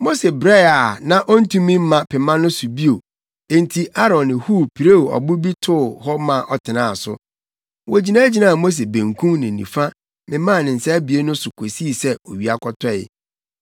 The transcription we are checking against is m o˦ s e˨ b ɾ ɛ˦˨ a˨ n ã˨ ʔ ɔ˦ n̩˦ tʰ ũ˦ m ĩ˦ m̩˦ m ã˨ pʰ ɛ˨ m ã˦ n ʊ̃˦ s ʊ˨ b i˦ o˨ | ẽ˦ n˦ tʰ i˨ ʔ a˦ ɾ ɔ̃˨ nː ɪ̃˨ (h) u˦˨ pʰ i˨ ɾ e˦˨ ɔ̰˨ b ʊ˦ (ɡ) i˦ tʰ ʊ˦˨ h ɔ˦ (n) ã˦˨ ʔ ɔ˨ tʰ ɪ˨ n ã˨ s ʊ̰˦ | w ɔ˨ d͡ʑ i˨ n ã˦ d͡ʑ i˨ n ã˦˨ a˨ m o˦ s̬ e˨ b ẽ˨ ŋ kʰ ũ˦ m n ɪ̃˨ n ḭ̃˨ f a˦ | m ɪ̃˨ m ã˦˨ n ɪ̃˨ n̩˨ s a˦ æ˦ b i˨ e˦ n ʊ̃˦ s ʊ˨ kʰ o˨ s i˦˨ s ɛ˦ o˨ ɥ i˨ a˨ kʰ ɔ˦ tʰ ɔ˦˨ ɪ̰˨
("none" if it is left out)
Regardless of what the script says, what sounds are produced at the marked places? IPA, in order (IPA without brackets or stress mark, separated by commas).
h, b, m